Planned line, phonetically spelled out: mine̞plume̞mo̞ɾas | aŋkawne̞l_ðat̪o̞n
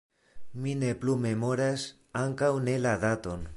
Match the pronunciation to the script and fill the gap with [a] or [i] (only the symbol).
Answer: a